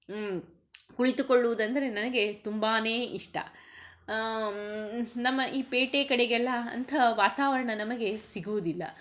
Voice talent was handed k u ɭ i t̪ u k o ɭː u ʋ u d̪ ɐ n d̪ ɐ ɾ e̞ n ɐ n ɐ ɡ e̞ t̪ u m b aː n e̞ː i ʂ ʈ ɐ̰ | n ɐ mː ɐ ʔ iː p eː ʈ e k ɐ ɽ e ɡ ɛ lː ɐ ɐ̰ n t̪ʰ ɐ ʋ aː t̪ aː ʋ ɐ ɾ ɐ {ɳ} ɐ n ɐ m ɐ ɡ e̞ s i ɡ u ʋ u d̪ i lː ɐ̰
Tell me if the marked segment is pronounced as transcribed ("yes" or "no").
yes